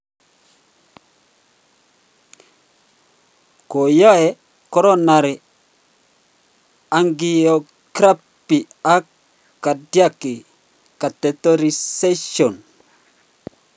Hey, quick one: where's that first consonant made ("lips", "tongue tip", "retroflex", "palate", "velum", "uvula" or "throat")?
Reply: velum